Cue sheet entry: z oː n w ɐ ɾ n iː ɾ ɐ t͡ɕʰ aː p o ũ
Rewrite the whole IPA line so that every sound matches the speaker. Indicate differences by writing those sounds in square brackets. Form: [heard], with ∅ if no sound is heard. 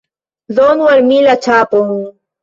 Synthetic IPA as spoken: z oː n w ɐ ɾ [m] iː [l] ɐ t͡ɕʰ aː p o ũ